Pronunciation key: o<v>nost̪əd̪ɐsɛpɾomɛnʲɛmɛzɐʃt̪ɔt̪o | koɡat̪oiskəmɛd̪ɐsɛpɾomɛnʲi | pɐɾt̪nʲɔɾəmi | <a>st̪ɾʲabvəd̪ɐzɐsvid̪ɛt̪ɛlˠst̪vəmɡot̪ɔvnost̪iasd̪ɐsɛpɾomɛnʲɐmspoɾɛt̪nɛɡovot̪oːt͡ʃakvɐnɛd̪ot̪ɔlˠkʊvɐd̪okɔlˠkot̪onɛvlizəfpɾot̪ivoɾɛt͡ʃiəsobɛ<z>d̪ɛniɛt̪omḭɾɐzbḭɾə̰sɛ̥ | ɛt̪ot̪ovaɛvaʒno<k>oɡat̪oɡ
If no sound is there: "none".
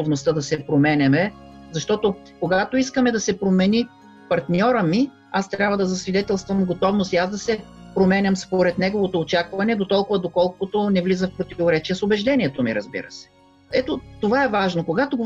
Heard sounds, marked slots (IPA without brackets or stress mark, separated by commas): v, a, ʒ, k